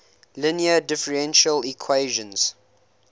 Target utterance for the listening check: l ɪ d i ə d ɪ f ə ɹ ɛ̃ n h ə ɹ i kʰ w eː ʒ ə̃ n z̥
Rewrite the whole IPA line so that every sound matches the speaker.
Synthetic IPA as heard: l ɪ n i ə d ɪ f ə ɹ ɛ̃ n ʃ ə l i kʰ w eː ʒ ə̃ n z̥